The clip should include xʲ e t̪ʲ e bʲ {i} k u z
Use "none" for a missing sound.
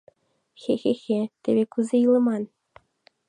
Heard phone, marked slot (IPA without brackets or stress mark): e